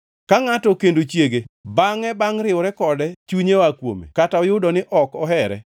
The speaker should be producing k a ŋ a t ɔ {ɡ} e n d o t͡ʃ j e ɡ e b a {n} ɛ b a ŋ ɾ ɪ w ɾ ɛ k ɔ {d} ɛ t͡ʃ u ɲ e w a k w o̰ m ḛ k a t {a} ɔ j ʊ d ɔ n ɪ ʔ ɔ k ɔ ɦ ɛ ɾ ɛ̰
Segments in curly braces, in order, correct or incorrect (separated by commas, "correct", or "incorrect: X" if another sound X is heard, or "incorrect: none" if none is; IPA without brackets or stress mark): incorrect: k, incorrect: ŋ, correct, correct